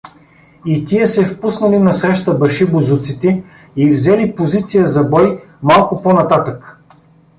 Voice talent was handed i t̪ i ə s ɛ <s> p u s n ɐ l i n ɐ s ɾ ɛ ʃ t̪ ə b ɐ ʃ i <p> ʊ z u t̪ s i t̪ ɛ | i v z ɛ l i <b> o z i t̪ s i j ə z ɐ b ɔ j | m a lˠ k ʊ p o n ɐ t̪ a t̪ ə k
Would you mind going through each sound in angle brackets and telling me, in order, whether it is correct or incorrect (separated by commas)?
incorrect, incorrect, incorrect